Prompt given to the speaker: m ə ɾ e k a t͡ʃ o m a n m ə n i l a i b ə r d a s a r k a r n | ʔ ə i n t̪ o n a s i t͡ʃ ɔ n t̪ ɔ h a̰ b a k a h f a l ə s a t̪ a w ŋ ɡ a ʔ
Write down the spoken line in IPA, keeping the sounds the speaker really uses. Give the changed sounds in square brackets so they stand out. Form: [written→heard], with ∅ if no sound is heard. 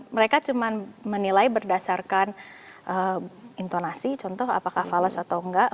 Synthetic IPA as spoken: m ə ɾ e k a t͡ʃ [o→u] m a n m ə n i l a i b ə r d a s a r k a [r→∅] n | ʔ ə i n t̪ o n a s i t͡ʃ ɔ n t̪ ɔ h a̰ [b→p] a k a h f a l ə s a t̪ a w ŋ ɡ a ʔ